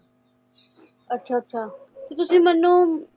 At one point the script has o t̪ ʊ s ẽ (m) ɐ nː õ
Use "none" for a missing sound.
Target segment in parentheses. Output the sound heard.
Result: m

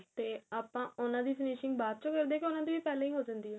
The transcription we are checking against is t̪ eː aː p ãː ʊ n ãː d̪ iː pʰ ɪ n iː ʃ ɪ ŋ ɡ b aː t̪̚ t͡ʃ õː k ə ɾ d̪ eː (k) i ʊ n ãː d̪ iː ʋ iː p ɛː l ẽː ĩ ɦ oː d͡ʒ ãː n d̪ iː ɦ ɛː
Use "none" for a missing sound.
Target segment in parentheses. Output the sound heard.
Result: k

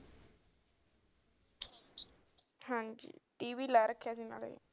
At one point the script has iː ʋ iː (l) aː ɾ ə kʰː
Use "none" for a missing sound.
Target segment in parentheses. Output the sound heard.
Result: l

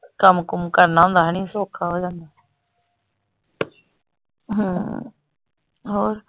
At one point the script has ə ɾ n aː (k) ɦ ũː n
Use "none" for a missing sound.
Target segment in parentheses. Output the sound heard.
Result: none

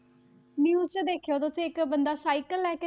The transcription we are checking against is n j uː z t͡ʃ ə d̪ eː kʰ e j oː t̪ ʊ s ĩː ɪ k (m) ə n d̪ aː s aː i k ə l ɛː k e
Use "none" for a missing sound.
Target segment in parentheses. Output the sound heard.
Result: b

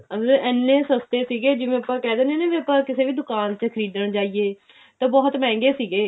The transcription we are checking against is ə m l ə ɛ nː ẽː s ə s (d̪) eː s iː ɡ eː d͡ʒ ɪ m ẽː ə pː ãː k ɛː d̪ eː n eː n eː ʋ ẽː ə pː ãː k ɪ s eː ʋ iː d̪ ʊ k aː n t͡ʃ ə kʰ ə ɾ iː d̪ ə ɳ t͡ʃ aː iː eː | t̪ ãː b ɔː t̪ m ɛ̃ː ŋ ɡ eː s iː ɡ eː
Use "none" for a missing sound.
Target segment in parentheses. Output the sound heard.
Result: t̪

